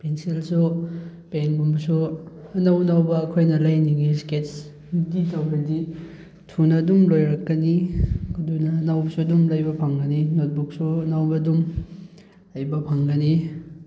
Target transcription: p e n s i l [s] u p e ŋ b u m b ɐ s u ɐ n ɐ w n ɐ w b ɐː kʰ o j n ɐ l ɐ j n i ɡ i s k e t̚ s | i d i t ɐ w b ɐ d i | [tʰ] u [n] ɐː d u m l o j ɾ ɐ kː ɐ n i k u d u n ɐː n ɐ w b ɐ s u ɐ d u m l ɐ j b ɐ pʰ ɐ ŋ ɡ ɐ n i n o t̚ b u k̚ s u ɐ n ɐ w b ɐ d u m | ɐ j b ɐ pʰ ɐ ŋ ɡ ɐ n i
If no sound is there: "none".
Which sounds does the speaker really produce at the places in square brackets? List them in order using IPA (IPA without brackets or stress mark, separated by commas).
s, tʰ, n